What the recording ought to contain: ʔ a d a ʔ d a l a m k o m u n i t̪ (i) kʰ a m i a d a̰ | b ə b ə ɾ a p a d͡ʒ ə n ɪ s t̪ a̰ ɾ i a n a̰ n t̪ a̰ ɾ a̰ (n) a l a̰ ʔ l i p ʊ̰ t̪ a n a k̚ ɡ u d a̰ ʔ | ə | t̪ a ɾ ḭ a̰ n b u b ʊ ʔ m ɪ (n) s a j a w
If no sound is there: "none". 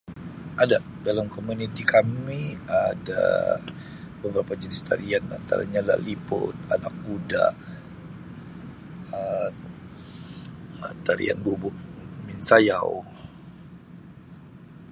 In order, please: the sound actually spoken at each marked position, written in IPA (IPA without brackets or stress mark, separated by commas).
i, ɲ, n